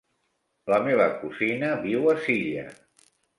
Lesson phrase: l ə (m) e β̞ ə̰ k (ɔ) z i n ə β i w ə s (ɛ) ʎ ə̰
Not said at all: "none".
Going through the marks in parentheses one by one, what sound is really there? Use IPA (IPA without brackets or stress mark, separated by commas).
m, u, i